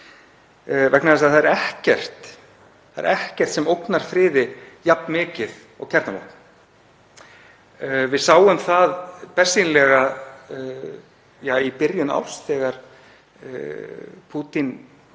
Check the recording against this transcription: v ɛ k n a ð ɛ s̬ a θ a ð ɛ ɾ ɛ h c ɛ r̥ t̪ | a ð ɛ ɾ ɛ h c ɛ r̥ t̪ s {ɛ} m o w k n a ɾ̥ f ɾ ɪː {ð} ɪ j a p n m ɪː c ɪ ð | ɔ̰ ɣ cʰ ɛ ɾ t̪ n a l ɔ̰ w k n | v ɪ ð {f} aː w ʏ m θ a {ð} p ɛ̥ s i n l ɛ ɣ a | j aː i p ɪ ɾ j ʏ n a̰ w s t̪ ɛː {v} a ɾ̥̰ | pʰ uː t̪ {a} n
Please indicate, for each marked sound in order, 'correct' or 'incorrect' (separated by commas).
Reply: correct, correct, incorrect, correct, incorrect, incorrect